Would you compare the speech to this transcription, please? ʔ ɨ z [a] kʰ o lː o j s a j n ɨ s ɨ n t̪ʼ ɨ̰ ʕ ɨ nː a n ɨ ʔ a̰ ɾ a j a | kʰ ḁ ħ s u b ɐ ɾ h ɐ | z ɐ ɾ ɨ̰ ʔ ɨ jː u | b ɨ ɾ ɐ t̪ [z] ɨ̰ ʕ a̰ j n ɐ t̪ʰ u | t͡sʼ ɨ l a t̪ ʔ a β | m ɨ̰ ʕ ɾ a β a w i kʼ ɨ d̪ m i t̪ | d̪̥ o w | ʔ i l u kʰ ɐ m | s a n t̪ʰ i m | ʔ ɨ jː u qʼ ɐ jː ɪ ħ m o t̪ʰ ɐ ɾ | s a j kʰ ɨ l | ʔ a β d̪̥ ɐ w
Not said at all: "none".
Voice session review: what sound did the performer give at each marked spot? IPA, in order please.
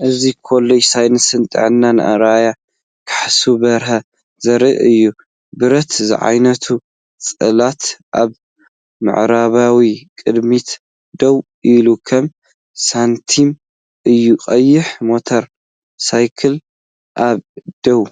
i, z

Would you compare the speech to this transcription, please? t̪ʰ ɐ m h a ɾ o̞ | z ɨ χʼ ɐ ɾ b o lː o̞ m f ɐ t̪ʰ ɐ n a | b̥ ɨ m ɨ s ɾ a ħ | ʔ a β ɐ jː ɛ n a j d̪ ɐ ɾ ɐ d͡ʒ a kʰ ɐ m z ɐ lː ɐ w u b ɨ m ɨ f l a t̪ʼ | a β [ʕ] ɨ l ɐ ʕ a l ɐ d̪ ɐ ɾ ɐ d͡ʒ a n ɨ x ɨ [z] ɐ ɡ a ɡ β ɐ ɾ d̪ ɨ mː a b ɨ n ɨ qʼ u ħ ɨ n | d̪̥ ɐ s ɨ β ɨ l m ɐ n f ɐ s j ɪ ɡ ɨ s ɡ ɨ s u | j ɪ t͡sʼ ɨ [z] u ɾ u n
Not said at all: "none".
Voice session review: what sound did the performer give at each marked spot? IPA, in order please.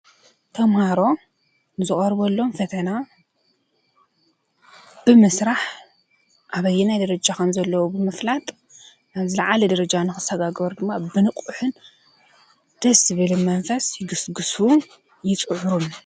z, s, ʕ

